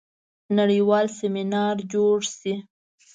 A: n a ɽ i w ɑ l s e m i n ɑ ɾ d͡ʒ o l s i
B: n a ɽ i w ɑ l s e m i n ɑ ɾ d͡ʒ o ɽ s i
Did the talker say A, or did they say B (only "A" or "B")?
B